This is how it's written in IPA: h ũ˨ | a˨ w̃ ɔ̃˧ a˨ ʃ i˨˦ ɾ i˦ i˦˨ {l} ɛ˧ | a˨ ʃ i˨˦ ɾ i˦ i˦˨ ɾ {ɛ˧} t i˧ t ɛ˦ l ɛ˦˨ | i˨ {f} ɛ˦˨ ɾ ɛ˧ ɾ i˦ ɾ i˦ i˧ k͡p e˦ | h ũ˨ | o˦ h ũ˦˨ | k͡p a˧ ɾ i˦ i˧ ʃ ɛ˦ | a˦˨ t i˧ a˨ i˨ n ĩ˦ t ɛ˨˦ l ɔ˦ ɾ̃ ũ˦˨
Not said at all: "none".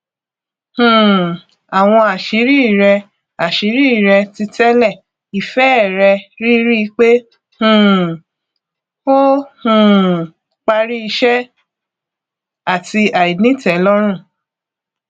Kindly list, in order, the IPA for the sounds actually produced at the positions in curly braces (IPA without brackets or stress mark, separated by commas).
ɾ, ɛ˧, f